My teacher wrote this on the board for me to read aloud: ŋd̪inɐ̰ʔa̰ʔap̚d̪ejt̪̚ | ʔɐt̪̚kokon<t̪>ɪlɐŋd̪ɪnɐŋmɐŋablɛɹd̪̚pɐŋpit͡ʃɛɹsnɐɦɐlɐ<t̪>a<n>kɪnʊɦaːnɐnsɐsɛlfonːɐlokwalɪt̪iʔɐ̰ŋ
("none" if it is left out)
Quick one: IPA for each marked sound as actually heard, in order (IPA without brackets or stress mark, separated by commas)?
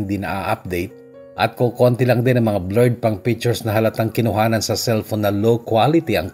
t̪, t̪, ŋ